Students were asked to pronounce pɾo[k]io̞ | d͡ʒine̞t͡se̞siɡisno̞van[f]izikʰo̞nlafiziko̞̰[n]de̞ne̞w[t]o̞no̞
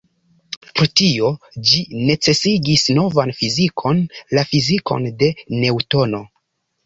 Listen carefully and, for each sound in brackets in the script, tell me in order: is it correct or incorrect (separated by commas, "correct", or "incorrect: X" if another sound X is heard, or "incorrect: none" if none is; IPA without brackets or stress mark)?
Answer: incorrect: t, correct, correct, correct